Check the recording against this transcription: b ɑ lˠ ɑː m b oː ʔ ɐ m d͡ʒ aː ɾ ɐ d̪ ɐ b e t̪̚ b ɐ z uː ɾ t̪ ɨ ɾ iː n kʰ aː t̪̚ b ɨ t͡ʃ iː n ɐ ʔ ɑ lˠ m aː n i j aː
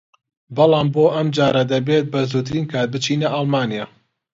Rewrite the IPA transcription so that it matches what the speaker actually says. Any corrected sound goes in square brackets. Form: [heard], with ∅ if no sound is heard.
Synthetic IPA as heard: b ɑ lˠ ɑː m b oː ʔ ɐ m d͡ʒ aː ɾ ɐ d̪ ɐ b e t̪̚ b ɐ z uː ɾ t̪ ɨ ɾ iː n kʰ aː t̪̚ b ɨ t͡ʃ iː n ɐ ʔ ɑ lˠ m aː n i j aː